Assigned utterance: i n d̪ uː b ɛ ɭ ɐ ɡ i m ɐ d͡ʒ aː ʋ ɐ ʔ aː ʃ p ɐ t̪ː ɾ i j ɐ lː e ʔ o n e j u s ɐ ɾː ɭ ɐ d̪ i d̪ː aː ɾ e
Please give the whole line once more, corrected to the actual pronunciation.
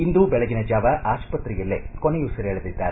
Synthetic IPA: i n d̪ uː b ɛ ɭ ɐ ɡ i n ɐ d͡ʒ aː ʋ ɐ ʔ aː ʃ p ɐ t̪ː ɾ i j ɐ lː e k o n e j u s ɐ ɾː ɭ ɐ d̪ i d̪ː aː ɾ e